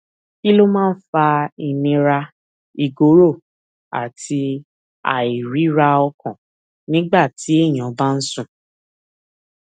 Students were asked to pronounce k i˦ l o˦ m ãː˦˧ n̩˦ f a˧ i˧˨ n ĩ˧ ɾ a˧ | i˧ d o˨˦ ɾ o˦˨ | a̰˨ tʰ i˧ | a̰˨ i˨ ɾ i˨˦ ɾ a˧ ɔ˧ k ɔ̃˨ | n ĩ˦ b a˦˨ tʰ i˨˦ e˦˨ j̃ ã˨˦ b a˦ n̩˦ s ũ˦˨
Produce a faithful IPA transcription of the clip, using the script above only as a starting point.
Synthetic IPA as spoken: k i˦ l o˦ m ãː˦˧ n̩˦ f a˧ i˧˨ n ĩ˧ ɾ a˧ | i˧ ɡ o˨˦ ɾ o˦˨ | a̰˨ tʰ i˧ | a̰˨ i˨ ɾ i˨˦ ɾ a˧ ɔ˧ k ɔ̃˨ | n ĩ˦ ɡ͡b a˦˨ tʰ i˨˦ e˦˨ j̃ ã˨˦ b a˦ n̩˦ s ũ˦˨

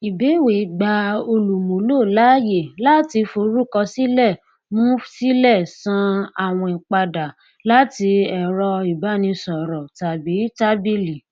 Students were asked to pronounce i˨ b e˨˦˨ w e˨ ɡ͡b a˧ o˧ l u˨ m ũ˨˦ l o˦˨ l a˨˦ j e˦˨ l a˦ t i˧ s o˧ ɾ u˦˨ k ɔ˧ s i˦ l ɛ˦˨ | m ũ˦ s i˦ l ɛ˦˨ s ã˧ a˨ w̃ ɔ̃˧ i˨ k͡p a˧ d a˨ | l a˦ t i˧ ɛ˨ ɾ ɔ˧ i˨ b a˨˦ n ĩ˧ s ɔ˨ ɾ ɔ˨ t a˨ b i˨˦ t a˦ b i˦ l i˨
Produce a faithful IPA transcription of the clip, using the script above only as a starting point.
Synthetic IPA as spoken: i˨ b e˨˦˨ w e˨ ɡ͡b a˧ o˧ l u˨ m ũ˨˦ l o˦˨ l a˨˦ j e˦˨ l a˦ t i˧ f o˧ ɾ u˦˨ k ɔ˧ s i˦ l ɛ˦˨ | m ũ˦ s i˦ l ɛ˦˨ s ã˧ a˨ w̃ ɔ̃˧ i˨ k͡p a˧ d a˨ | l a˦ t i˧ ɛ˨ ɾ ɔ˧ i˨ b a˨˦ n ĩ˧ s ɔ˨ ɾ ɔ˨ t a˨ b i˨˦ t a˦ b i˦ l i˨

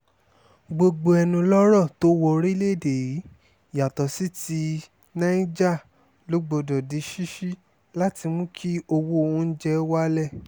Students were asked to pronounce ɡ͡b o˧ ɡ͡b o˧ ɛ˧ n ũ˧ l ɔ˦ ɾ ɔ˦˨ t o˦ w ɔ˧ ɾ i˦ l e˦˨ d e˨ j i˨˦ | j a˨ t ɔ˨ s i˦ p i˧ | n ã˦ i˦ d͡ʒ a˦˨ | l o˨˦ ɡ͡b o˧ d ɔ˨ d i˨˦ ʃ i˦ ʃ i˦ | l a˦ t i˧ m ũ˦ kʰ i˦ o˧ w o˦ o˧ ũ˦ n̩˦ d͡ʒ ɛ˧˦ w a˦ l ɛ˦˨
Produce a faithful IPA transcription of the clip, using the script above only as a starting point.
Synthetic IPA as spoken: ɡ͡b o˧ ɡ͡b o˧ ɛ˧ n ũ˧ l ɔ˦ ɾ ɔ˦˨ t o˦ w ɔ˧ ɾ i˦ l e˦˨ d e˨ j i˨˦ | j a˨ t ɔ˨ s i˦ t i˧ | n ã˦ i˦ d͡ʒ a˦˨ | l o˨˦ ɡ͡b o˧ d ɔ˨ d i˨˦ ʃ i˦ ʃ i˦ | l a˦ t i˧ m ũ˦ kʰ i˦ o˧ w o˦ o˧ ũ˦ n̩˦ d͡ʒ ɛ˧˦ w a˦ l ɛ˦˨

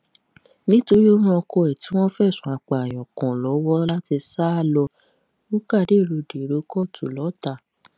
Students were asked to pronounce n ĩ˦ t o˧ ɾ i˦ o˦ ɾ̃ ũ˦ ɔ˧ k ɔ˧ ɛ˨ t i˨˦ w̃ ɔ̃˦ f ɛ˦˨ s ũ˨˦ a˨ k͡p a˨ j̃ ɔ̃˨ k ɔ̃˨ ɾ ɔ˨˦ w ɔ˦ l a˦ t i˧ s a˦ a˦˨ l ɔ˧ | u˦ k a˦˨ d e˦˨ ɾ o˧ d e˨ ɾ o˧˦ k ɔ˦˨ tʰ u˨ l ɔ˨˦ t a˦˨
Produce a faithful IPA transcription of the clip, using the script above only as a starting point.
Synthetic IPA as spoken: n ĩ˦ t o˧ ɾ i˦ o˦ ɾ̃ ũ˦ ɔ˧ k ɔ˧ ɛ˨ t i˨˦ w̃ ɔ̃˦ f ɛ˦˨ s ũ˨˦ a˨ k͡p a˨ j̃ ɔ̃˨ k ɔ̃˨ l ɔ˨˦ w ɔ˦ l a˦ t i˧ s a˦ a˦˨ l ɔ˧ | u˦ k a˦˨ d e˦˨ ɾ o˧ d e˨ ɾ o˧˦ k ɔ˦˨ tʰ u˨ l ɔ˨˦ t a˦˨

